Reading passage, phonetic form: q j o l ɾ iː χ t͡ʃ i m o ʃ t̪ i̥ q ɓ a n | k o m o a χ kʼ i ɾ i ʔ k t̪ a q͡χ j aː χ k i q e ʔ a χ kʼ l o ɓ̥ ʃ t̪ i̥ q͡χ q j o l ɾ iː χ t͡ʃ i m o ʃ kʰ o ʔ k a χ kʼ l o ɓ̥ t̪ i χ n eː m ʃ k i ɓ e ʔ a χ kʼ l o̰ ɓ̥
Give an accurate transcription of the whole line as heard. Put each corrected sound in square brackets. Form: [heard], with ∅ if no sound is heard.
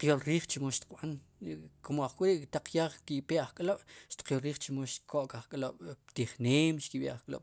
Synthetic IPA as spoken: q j o l ɾ iː χ t͡ʃ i m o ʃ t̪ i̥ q ɓ a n | k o m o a χ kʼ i ɾ i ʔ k t̪ a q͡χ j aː χ k i [p] e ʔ a χ kʼ l o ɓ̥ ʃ t̪ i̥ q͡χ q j o l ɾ iː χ t͡ʃ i m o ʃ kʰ o ʔ k a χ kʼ l o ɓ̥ t̪ i χ n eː m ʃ k i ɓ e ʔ a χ kʼ l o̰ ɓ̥